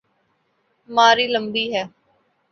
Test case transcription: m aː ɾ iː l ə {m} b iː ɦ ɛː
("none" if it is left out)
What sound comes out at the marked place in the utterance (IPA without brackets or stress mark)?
m